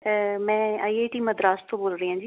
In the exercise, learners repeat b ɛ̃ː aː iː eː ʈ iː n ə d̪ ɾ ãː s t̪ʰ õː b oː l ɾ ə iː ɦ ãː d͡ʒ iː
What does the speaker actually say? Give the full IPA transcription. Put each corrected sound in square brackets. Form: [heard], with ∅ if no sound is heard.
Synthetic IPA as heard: [m] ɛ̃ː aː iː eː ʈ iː [m] ə d̪ ɾ [aː] s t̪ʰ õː b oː l ɾ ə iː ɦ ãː d͡ʒ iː